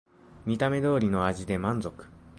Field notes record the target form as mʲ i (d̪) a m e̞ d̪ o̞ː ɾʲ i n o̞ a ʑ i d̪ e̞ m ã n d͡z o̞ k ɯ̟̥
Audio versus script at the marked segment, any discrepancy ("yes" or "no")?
yes